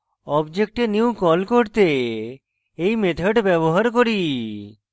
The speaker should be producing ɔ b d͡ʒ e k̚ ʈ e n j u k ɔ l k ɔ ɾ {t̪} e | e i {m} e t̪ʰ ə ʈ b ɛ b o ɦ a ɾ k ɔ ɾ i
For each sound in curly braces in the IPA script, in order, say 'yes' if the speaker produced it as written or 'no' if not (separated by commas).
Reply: yes, yes